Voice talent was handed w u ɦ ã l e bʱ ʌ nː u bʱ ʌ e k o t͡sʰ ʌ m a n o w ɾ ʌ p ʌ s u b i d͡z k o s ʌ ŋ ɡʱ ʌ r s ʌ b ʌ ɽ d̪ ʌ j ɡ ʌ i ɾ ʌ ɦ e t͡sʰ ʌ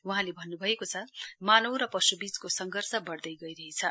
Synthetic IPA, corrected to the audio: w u ɦ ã l e bʱ ʌ nː u bʱ ʌ e k o t͡sʰ ʌ m a n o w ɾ ʌ p ʌ s u b i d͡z k o s ʌ ŋ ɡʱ ʌ r s ʌ b ʌ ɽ d̪ ʌ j ɡ ʌ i ɾ ʌ ɦ e t͡sʰ ʌ